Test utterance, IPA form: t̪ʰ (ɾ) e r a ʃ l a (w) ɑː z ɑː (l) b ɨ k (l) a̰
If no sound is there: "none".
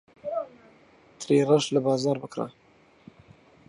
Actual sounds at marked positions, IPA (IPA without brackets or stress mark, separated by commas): ɾ, b, ɾ, ɾ